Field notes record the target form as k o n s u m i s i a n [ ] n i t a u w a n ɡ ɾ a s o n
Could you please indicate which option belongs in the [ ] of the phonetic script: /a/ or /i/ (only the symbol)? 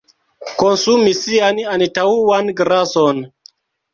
a